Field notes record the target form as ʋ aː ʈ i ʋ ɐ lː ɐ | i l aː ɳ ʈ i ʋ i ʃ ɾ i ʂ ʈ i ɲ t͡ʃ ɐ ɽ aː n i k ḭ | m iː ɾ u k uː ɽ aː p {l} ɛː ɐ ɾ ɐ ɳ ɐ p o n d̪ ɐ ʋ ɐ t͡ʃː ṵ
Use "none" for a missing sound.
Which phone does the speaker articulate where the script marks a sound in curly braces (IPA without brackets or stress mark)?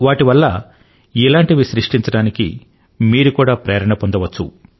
ɾ